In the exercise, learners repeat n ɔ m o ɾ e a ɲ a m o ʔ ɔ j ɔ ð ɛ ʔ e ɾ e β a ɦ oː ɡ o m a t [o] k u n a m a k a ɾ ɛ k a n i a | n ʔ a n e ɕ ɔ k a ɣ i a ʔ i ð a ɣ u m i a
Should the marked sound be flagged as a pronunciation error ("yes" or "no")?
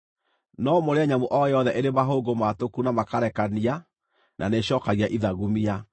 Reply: no